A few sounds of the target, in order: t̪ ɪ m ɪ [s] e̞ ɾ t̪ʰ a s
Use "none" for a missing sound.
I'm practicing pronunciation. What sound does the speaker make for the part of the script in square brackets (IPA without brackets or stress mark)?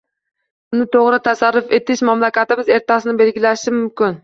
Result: z